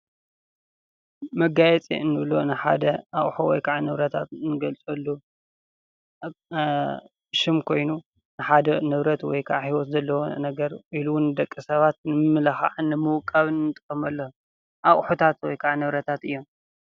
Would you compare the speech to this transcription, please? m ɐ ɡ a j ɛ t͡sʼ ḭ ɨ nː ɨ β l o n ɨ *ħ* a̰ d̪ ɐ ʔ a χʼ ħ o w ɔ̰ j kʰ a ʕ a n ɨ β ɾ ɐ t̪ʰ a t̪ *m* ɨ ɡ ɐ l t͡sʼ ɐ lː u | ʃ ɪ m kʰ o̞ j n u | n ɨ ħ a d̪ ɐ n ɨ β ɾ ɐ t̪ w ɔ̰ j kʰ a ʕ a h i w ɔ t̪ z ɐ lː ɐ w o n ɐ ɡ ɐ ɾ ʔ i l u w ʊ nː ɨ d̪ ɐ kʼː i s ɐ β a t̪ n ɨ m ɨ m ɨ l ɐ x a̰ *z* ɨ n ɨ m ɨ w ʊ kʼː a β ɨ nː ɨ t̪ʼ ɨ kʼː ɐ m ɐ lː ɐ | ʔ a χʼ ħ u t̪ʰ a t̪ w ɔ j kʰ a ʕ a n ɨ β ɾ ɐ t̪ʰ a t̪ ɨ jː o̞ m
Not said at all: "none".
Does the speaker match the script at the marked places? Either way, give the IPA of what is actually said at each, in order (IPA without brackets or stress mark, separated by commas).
ħ, n, ʕ